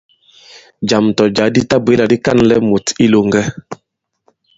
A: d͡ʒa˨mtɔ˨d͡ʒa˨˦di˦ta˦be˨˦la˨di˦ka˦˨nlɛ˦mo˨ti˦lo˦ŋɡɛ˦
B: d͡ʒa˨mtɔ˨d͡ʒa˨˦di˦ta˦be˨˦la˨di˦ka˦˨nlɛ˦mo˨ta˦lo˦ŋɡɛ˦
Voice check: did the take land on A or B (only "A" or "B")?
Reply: A